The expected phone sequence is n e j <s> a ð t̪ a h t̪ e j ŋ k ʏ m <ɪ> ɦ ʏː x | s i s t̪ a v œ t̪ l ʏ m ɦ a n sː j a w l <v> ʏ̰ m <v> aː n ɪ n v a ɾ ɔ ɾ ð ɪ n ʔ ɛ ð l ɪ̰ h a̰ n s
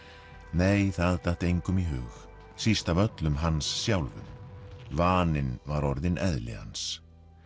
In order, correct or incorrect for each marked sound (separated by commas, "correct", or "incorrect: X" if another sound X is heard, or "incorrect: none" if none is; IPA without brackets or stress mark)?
incorrect: θ, incorrect: i, correct, correct